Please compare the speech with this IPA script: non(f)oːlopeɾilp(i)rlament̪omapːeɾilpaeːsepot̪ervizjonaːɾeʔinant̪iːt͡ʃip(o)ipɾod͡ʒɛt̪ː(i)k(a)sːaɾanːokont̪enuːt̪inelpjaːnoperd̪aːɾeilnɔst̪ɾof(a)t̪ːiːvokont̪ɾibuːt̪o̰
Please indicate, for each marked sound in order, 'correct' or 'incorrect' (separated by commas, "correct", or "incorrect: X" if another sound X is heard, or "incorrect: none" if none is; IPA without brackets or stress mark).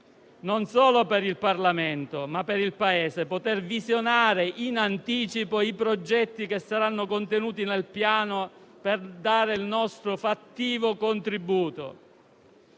incorrect: s, incorrect: a, correct, correct, incorrect: e, correct